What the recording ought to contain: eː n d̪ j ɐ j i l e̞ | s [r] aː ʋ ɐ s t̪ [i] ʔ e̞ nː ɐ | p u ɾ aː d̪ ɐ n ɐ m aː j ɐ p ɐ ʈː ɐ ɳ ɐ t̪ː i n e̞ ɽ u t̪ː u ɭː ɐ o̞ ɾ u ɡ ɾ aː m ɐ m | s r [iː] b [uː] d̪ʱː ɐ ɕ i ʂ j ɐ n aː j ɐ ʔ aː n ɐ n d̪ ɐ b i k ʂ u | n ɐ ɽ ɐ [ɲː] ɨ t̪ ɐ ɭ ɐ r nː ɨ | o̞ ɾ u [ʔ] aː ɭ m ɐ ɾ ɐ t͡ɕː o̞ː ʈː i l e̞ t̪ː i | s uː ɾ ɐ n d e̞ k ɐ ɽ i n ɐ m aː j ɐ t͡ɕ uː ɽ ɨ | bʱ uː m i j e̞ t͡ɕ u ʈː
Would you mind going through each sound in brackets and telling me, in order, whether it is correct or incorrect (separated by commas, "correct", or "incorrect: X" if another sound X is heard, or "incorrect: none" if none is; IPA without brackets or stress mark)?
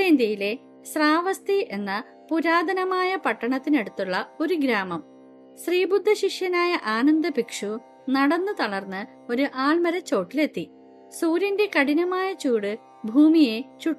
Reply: correct, correct, correct, incorrect: u, incorrect: nː, correct